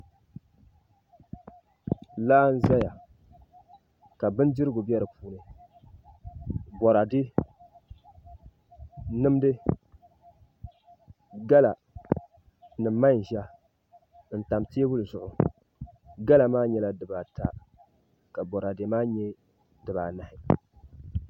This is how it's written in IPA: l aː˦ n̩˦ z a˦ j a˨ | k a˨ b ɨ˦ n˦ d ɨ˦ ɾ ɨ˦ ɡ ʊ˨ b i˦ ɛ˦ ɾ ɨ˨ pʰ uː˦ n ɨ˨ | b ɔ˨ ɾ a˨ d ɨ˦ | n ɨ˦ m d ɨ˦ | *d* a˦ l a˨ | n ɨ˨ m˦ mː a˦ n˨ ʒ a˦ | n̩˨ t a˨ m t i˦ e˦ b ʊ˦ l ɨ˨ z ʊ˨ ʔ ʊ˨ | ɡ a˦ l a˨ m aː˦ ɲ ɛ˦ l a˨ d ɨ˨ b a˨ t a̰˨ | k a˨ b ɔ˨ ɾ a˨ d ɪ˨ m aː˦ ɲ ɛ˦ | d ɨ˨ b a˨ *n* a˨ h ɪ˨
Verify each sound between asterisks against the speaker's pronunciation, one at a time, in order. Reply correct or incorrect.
incorrect, correct

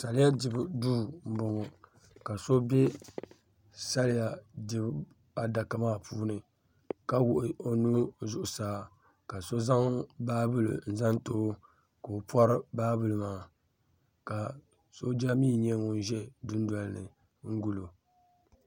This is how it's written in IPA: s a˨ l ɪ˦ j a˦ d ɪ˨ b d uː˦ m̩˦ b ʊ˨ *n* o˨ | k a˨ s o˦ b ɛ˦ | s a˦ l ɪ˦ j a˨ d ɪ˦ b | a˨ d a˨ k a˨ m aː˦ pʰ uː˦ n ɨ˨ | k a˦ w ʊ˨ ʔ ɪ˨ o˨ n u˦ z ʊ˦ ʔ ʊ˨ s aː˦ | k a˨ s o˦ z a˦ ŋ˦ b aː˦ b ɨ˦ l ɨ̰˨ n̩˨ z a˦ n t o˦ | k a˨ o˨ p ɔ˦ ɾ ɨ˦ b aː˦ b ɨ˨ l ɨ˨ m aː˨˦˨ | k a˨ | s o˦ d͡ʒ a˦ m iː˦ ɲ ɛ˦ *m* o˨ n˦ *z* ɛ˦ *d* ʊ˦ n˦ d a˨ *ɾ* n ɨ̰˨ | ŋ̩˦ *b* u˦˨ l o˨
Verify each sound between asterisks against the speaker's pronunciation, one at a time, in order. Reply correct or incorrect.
incorrect, incorrect, incorrect, correct, incorrect, incorrect

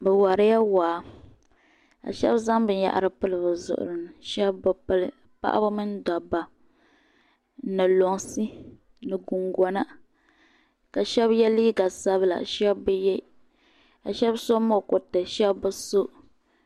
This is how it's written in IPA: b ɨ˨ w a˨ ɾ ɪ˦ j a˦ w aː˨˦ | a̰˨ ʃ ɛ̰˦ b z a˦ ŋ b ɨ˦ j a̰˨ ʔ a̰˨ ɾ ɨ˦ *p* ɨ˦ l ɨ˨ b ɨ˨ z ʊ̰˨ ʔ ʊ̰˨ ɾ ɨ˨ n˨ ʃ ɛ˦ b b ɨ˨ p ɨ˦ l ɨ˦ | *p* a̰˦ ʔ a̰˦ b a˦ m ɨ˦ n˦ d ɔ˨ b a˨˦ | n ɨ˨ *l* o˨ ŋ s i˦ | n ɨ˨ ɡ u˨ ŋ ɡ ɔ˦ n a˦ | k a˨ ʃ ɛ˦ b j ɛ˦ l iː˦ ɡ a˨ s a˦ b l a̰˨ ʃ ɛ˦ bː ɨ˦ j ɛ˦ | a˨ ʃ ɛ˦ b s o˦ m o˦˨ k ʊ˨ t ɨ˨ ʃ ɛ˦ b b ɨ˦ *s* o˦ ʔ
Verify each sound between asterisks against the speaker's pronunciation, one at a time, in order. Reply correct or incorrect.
correct, correct, correct, correct

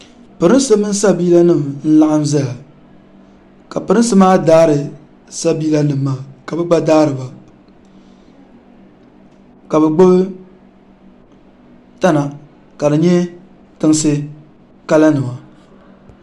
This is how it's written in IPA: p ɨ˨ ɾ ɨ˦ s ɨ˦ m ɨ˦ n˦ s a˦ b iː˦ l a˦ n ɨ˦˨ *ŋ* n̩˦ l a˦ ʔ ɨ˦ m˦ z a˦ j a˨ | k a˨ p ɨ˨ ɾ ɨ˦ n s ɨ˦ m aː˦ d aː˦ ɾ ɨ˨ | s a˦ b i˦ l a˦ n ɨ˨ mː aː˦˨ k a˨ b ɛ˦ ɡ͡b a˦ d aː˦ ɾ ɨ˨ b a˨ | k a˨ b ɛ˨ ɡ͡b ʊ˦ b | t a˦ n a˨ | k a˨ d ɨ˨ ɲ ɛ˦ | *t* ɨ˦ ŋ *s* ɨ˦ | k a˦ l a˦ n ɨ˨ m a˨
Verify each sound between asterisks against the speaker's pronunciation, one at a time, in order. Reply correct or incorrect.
incorrect, correct, correct

